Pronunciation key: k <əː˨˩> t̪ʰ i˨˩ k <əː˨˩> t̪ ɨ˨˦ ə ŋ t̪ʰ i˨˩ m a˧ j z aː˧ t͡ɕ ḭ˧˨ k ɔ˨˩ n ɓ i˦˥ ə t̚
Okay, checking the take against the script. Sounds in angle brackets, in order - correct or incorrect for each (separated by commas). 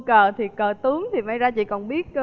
correct, correct